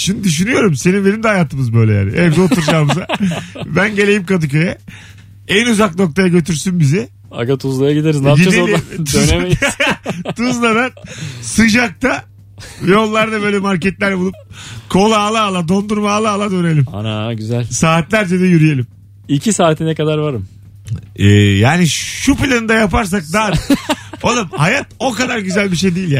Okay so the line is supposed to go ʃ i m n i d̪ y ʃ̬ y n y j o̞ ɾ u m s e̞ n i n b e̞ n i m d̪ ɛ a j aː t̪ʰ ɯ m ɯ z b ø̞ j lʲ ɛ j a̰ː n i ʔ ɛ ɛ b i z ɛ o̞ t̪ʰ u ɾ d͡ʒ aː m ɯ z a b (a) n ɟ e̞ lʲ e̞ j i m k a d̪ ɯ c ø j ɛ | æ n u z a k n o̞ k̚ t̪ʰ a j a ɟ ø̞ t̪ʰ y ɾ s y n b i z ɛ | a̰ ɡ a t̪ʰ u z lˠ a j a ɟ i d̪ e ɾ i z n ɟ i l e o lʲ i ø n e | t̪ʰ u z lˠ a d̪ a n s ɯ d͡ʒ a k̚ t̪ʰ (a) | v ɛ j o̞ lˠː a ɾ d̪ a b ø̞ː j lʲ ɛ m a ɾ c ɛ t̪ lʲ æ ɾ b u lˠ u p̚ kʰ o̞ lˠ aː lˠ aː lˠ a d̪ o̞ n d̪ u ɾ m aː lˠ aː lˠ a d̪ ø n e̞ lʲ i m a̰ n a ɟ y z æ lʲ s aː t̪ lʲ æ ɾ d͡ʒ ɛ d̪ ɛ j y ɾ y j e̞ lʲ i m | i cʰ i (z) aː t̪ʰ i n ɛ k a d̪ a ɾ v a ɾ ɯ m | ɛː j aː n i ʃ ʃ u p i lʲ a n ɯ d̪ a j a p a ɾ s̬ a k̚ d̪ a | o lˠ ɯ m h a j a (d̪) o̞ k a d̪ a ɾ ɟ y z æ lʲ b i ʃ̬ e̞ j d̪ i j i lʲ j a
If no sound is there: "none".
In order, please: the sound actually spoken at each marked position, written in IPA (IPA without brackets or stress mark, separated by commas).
æ, a, s, t̪